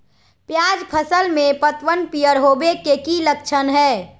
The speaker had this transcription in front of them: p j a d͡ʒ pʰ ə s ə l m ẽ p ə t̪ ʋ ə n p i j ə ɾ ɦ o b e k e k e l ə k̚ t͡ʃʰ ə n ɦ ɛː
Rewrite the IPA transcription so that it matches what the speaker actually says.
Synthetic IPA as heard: p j a d͡ʒ pʰ ə s ə l m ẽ p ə t̪ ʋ ə n p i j ə ɾ ɦ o b e k e k i l ə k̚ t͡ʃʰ ə n ɦ ɛː